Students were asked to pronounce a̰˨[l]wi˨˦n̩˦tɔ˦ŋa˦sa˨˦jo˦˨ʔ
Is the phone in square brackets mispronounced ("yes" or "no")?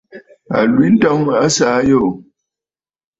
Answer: no